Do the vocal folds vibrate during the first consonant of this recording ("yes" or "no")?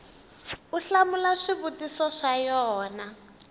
no